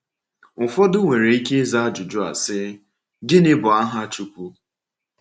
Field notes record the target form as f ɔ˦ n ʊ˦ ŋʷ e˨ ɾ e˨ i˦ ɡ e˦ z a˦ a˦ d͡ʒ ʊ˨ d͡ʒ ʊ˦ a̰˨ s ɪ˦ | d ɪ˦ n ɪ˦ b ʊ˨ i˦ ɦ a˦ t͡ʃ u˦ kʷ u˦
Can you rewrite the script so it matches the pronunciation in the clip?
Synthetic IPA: f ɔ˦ d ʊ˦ ŋʷ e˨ ɾ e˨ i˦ k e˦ z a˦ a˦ d͡ʒ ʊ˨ d͡ʒ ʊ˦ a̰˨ s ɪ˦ | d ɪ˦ n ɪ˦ b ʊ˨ a˦ ɦ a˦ t͡ʃ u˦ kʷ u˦